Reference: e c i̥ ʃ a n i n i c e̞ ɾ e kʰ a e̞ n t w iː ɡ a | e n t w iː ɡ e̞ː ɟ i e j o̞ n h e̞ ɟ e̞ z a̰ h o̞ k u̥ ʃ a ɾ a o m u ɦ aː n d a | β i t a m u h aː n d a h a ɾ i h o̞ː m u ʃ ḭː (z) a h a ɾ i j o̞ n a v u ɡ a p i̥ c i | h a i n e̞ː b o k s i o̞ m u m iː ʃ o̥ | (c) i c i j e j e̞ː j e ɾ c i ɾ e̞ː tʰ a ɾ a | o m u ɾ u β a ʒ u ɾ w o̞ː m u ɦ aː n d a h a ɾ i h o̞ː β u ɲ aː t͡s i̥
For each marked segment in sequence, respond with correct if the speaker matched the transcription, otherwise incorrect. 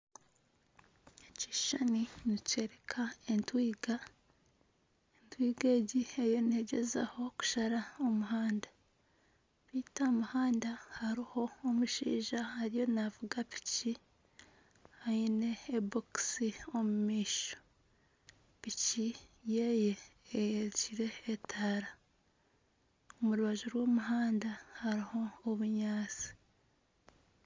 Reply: incorrect: ʒ, incorrect: p

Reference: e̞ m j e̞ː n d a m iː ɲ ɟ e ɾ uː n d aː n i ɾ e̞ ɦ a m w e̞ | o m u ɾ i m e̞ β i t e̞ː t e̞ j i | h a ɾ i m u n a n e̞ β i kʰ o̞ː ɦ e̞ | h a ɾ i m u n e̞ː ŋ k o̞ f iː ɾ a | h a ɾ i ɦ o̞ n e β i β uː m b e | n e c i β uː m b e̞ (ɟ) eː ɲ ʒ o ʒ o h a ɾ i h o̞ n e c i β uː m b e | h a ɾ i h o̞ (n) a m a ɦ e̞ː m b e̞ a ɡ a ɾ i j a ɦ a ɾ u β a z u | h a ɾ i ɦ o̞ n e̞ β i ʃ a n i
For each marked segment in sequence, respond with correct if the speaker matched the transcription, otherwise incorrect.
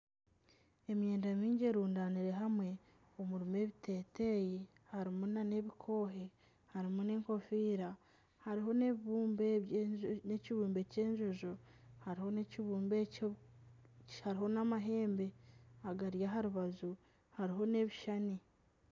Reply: incorrect: c, correct

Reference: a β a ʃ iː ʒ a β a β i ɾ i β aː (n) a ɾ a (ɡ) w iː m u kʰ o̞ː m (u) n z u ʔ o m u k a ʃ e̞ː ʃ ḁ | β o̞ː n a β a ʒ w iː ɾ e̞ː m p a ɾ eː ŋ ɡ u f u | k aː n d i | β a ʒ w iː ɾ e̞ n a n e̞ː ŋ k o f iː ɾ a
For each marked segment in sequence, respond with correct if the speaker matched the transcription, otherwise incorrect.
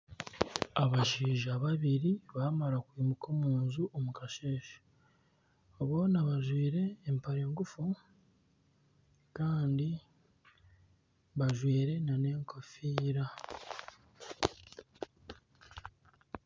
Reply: incorrect: m, incorrect: k, incorrect: uː

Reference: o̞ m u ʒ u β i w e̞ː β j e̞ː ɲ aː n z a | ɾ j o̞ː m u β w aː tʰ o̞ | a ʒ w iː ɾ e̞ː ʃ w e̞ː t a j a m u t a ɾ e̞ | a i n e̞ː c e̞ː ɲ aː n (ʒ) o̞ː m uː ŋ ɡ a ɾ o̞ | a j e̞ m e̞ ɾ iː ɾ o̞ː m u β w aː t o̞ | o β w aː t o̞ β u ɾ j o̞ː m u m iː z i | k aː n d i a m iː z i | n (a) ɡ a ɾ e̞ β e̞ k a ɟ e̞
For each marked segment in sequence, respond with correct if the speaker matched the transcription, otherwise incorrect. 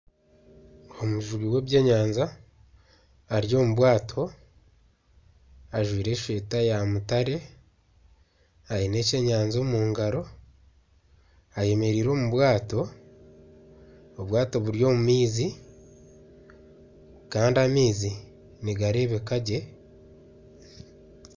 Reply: incorrect: z, incorrect: i

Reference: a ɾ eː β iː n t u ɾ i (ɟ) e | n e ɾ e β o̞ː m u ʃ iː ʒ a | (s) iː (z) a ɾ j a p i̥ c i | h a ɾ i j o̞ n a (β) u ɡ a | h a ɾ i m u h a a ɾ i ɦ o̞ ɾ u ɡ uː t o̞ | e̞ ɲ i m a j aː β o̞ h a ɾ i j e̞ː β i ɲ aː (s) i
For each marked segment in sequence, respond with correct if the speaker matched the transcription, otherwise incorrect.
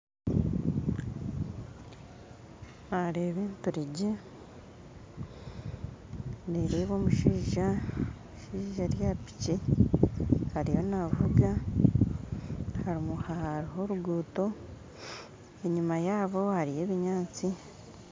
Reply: correct, incorrect: ʃ, incorrect: ʒ, incorrect: v, incorrect: t͡s

